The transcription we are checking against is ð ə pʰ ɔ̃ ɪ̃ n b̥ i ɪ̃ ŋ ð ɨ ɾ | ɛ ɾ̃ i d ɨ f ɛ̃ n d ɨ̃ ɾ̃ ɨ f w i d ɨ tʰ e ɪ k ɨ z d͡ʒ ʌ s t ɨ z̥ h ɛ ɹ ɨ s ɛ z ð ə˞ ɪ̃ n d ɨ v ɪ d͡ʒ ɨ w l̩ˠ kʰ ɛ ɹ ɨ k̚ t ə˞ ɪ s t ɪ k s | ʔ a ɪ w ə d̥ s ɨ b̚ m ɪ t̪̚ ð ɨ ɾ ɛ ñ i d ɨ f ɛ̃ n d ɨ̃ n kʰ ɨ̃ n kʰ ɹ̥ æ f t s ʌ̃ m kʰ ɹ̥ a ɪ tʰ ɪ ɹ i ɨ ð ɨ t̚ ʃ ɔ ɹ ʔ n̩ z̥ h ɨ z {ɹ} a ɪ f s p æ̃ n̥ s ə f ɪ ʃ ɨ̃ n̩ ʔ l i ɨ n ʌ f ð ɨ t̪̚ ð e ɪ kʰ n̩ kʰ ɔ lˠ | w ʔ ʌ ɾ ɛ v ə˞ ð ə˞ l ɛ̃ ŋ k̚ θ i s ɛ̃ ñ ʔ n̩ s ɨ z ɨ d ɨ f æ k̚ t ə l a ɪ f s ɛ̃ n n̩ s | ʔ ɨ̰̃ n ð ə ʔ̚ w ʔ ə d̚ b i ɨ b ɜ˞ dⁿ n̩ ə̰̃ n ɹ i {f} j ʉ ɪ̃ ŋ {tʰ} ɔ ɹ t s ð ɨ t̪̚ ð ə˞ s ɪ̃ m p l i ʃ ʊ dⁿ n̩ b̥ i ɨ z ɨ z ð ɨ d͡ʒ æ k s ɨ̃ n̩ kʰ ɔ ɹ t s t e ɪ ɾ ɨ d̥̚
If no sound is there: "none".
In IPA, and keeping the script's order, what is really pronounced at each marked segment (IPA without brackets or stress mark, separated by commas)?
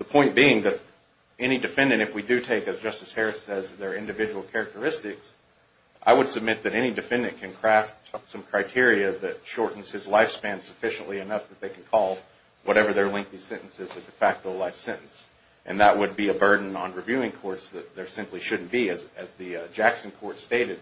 l, v, kʰ